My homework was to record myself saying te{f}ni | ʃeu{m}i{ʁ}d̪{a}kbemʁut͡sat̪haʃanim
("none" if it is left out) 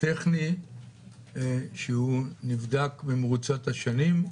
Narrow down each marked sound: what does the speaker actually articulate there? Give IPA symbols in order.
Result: χ, n, v, a

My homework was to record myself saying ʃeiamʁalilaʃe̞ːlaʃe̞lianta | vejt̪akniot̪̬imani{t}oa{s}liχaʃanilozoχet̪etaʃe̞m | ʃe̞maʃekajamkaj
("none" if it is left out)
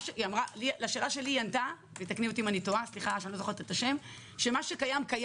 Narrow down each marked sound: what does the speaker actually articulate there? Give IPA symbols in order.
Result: t, s

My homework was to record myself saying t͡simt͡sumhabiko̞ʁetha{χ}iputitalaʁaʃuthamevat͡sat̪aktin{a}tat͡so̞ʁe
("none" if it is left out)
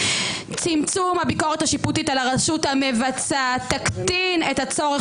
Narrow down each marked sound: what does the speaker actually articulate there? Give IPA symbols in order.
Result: ʃ, e

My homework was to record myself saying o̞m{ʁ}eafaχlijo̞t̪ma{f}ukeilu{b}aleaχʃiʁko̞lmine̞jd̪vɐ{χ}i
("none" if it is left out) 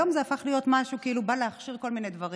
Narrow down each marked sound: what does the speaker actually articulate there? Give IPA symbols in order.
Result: z, ʃ, b, ʁ

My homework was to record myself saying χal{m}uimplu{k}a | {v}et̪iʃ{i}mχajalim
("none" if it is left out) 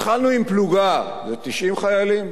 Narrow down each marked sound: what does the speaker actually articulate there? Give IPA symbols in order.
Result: n, ɡ, z, i

